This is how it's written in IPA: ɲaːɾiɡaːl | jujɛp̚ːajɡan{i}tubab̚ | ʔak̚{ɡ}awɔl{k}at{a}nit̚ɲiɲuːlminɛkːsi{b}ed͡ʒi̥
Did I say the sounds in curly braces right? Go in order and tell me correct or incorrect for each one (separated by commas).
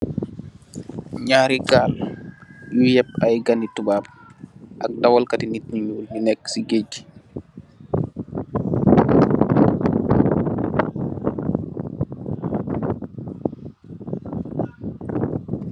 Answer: correct, incorrect, correct, incorrect, incorrect